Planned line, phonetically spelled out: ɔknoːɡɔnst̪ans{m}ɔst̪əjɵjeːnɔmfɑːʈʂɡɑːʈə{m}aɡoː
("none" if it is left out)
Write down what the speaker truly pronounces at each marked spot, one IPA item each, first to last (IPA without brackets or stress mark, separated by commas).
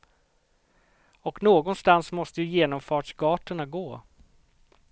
m, ɳ